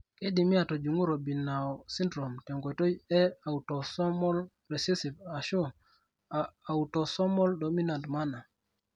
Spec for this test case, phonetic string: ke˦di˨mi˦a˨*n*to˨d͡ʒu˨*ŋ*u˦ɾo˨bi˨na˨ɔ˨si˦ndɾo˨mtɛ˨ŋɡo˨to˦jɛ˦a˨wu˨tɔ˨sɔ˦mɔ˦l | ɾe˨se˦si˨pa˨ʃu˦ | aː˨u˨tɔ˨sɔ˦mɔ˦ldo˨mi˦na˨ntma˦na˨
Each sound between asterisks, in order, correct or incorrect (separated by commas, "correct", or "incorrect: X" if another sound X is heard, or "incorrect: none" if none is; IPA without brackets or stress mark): incorrect: none, correct